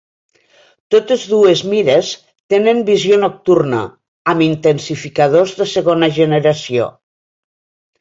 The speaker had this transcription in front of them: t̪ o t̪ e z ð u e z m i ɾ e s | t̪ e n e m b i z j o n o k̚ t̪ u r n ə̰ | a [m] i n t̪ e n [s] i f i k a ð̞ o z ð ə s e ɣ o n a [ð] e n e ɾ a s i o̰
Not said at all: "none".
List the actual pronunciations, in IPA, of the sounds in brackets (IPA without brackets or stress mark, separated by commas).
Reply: m, s, ʒ